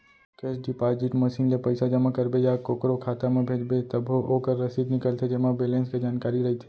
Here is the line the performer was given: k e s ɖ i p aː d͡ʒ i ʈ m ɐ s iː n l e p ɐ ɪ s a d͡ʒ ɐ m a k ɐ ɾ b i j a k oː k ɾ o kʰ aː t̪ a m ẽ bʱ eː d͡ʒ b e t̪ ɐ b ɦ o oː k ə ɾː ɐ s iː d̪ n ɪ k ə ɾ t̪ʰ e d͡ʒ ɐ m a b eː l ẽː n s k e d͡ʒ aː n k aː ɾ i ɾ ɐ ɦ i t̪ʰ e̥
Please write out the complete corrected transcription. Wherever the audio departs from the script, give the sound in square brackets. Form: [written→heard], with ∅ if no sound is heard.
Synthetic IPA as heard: k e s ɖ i p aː d͡ʒ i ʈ m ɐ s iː n l e p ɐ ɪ s a d͡ʒ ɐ m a k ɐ ɾ b [i→e] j a k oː k ɾ o kʰ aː t̪ a m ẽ bʱ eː d͡ʒ b e t̪ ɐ b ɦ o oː k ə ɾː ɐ s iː d̪ n ɪ k ə [ɾ→l] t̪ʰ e d͡ʒ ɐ m a b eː l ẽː n s k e d͡ʒ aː n k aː ɾ i ɾ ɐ ɦ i t̪ʰ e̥